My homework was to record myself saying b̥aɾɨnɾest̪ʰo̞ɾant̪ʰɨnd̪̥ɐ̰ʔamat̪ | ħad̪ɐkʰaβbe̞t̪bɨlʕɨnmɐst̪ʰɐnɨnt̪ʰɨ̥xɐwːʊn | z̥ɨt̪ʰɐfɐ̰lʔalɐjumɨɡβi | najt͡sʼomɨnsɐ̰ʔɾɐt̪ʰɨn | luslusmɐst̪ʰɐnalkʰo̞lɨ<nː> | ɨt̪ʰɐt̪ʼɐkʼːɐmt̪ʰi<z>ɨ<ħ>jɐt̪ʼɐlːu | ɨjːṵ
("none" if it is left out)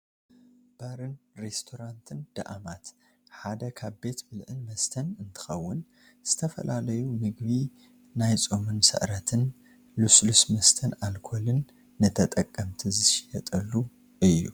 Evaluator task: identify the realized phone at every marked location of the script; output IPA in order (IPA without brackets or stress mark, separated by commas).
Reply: nː, z, ʃ